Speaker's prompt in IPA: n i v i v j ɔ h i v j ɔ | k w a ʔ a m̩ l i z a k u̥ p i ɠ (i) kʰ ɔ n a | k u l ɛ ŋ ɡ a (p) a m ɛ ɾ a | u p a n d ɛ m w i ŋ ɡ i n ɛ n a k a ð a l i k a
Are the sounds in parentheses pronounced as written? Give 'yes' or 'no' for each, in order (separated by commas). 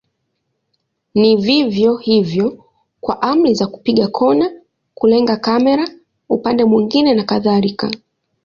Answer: no, no